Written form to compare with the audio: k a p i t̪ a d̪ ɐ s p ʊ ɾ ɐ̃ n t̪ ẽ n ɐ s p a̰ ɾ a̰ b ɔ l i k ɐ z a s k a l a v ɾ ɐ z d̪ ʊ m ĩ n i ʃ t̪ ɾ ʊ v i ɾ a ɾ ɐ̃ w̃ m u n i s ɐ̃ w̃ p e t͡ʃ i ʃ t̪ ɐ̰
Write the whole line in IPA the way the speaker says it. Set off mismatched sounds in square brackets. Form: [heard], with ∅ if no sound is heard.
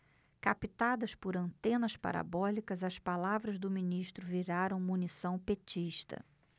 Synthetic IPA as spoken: k a p i t̪ a d̪ ɐ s p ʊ ɾ ɐ̃ n t̪ ẽ n ɐ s p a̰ ɾ a̰ b ɔ l i k ɐ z [ɐ] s [p] a l a v ɾ ɐ z d̪ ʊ m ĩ n i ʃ t̪ ɾ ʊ v i ɾ a ɾ ɐ̃ w̃ m u n i s ɐ̃ w̃ p e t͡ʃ i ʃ t̪ ɐ̰